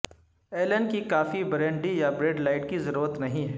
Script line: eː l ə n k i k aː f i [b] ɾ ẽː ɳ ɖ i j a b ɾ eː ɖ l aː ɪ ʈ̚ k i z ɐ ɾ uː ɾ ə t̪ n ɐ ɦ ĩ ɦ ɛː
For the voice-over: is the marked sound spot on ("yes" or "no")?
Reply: yes